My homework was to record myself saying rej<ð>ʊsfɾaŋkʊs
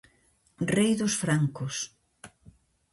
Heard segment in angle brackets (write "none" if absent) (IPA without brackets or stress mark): ð